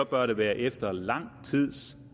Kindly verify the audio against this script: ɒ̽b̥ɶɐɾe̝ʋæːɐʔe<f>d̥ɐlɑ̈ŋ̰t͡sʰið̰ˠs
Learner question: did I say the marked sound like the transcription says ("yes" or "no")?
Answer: yes